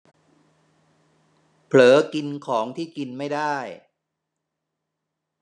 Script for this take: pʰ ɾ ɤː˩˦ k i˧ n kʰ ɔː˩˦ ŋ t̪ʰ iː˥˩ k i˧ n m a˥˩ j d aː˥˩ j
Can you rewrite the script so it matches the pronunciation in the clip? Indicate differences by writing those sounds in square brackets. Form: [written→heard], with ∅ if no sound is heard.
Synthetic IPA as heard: pʰ [ɾ→l] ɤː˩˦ k i˧ n kʰ ɔː˩˦ ŋ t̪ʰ iː˥˩ k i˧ n m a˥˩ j d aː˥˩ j